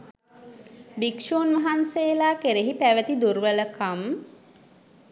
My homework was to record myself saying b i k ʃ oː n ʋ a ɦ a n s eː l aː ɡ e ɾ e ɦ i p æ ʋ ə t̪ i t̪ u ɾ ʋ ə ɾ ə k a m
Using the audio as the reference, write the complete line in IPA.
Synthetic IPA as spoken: b i k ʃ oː n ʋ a ɦ a n s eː l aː k e ɾ e ɦ i p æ ʋ ə t̪ i d̪ u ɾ ʋ ə l ə k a m